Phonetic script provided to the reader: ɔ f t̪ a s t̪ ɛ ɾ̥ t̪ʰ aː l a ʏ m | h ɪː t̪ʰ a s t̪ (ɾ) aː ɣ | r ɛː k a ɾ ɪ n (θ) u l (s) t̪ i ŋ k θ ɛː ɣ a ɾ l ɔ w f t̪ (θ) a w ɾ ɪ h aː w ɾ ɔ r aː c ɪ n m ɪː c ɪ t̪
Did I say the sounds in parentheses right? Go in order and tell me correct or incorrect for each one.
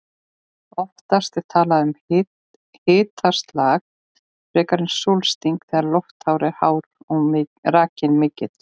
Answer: incorrect: l, incorrect: s, correct, incorrect: h

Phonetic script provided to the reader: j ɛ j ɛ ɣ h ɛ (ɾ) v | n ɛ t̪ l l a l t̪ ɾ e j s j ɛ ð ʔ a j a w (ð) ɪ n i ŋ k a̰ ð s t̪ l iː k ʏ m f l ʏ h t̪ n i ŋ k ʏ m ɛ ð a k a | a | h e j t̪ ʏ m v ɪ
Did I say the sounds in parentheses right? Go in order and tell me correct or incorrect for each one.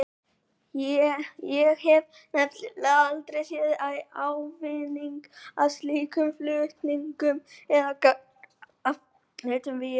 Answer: incorrect: none, incorrect: v

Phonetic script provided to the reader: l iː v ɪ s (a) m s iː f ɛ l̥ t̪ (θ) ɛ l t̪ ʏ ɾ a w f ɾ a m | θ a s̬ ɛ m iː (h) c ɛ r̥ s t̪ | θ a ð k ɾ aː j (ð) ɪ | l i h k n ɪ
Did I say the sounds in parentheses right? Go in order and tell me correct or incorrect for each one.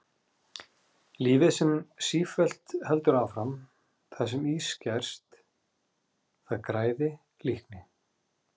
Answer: incorrect: ɛ, incorrect: h, incorrect: s, correct

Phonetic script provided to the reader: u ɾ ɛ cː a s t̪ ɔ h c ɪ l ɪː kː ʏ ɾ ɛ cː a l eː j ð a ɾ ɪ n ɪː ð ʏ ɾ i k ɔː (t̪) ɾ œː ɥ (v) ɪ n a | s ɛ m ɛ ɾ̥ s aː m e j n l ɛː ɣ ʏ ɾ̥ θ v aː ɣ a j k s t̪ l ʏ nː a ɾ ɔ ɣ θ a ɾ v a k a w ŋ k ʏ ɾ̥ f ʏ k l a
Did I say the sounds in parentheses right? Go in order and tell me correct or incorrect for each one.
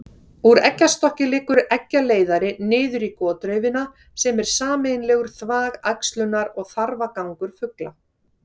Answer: correct, correct

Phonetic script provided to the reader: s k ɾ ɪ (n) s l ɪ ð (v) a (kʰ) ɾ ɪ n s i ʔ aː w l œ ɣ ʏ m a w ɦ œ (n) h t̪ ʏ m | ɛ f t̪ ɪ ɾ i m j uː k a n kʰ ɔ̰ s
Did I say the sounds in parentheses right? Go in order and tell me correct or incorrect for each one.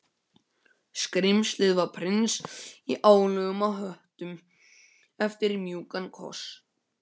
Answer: incorrect: m, correct, incorrect: pʰ, incorrect: none

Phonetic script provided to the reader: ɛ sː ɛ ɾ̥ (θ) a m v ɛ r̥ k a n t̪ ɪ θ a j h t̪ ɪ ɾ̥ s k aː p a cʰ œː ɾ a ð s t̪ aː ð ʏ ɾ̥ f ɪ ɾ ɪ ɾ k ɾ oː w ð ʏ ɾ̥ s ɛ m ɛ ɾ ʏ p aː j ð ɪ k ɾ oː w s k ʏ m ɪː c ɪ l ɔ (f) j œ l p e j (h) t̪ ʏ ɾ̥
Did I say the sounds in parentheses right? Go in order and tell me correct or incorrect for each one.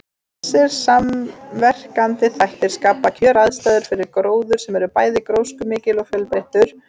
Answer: incorrect: s, correct, correct

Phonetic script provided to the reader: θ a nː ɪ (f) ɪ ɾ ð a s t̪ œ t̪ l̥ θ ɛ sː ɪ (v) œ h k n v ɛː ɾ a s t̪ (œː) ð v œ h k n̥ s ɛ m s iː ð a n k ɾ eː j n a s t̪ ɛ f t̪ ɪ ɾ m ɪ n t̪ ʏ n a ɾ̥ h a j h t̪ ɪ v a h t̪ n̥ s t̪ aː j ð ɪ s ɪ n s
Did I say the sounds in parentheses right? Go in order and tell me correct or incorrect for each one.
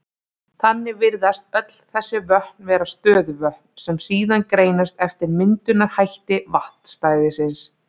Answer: incorrect: v, correct, correct

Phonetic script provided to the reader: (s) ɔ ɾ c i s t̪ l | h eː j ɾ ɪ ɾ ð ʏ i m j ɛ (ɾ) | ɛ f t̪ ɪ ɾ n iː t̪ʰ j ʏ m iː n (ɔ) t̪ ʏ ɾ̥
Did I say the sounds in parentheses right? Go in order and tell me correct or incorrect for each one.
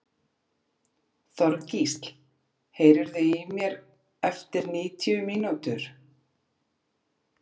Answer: incorrect: θ, correct, incorrect: u

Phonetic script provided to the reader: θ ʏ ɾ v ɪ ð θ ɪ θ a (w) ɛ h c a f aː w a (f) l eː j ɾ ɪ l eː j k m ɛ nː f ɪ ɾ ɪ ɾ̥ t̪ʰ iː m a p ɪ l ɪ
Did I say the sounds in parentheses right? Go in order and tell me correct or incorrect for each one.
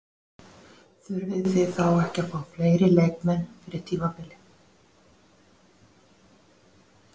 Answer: correct, correct

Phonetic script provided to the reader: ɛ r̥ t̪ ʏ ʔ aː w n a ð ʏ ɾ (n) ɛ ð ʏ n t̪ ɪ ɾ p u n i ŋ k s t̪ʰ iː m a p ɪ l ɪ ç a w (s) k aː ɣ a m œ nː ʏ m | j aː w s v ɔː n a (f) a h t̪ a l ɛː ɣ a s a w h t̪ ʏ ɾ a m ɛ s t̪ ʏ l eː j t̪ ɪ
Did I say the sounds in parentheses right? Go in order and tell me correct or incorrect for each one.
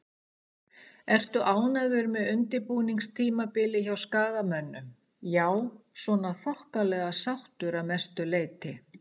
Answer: incorrect: m, correct, incorrect: θ

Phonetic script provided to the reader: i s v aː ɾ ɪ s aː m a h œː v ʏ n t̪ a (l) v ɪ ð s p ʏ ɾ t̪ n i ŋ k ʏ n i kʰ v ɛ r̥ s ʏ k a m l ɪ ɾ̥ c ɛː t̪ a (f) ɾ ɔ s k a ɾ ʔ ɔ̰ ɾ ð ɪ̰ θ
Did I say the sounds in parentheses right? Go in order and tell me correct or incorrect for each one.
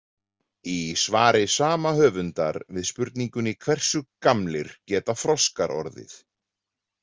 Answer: incorrect: ɾ, correct

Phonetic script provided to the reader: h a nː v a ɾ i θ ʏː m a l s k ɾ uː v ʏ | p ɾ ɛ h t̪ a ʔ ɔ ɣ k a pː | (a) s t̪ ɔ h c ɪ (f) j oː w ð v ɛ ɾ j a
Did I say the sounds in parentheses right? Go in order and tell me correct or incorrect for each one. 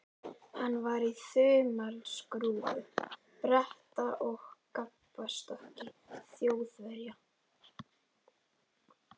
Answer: correct, incorrect: θ

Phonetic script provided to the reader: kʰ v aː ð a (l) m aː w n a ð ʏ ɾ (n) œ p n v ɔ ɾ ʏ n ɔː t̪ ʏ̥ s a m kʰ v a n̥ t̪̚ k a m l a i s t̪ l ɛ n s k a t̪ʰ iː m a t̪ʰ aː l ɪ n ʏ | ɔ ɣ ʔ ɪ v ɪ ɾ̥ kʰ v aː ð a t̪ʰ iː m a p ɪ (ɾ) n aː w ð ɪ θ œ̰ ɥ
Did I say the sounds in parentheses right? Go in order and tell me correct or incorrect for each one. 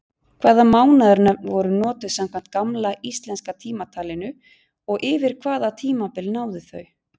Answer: incorrect: none, correct, incorrect: l

